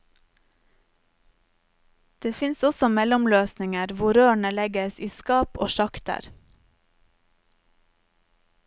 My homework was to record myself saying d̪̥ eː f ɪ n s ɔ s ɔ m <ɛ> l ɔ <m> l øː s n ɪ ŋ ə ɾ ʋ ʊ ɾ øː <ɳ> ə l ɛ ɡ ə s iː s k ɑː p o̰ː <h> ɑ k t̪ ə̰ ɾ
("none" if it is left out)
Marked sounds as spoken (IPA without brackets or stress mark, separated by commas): ɛ, m, ɳ, ʃ